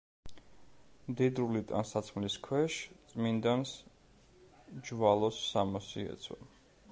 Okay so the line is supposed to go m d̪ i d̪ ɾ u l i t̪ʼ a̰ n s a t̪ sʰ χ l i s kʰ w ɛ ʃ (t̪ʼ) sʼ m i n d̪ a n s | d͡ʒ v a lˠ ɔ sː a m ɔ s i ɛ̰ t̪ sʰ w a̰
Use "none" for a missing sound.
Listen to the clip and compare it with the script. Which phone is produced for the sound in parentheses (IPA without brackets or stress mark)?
t̪